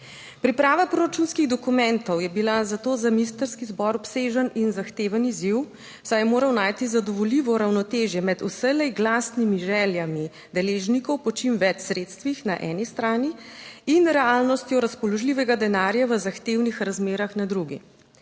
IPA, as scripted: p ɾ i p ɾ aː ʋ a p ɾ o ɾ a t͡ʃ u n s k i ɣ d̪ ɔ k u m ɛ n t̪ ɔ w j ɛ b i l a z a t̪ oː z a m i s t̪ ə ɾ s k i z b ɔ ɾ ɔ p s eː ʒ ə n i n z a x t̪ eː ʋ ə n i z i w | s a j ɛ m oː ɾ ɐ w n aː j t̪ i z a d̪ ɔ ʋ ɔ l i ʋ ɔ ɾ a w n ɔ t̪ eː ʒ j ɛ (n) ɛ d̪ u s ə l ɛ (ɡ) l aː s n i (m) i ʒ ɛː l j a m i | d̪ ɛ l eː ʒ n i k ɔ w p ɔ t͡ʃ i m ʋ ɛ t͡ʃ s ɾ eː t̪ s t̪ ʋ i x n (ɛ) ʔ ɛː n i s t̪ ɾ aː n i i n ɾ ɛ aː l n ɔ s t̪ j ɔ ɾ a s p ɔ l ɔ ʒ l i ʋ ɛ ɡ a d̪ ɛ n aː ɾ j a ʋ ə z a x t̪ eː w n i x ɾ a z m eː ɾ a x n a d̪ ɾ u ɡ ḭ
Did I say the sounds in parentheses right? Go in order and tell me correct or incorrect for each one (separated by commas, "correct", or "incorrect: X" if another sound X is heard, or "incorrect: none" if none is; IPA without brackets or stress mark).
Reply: incorrect: m, correct, correct, incorrect: a